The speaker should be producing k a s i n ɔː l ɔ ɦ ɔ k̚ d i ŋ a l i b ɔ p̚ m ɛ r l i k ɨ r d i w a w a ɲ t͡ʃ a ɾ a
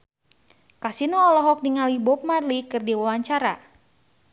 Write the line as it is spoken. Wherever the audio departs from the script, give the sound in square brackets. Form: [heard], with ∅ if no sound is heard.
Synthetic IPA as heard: k a s i n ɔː l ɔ ɦ ɔ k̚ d i ŋ a l i b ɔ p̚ m [a] r l i k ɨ r d i w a w a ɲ t͡ʃ a ɾ a